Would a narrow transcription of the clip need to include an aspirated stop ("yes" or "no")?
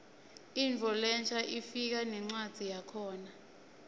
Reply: yes